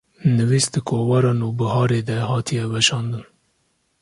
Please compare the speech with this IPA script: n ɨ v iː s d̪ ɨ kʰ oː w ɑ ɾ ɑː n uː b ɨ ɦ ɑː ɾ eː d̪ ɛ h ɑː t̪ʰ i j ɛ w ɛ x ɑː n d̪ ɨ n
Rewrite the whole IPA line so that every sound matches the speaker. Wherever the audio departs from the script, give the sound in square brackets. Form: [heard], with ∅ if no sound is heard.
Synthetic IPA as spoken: n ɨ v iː s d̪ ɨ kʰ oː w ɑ ɾ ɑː n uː b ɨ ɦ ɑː ɾ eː d̪ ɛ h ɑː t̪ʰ i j ɛ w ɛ [ʃ] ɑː n d̪ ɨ n